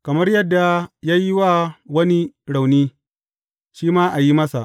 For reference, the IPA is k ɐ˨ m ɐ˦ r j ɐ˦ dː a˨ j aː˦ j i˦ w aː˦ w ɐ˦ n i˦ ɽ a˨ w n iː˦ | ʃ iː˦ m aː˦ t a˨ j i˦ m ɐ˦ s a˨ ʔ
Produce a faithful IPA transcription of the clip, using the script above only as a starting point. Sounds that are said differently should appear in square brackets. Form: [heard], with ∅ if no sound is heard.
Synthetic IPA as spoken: k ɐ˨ m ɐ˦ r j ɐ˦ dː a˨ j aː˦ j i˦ w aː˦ w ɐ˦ n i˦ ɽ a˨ w n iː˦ | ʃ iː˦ m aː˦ [ʔ] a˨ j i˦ m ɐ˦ s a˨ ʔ